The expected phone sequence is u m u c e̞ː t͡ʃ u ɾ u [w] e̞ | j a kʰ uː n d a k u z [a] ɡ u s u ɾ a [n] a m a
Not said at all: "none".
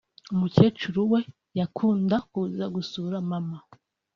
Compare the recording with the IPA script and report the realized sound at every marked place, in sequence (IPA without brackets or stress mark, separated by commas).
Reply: w, a, m